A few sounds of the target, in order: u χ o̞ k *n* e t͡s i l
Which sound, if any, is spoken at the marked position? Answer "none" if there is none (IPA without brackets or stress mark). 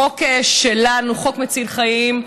m